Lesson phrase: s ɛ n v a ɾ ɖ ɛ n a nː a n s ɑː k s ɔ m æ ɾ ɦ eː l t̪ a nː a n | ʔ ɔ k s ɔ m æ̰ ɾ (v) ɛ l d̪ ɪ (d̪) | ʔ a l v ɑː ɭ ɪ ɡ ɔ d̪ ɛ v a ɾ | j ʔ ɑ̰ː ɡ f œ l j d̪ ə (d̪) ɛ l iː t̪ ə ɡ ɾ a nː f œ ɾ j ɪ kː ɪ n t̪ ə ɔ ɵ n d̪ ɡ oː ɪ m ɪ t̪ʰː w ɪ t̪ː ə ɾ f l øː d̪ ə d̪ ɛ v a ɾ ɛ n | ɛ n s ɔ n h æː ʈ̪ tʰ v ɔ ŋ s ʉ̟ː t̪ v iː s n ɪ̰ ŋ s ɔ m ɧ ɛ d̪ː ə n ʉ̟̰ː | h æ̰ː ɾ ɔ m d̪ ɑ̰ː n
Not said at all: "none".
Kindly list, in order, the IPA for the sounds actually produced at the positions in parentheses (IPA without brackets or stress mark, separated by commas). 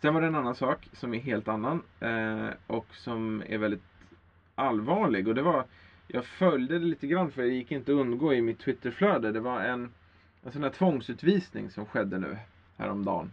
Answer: v, t̪, d̪